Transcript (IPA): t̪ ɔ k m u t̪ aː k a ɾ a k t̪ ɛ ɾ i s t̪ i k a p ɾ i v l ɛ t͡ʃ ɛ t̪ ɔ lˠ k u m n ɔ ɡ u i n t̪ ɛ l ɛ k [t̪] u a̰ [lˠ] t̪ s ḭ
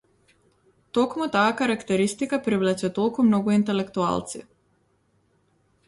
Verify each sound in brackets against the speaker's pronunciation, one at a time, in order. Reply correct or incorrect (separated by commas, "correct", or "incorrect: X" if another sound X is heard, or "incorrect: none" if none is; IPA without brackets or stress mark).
correct, correct